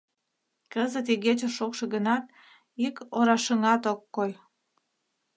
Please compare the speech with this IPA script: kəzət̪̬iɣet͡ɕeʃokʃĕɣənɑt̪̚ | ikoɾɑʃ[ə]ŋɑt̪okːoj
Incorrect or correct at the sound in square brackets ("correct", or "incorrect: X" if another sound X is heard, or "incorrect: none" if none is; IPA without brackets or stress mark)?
correct